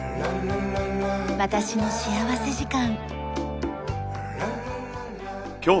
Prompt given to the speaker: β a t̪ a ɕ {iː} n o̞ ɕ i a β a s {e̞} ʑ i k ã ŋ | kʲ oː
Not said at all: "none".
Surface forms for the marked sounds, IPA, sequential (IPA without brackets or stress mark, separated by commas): i, e̞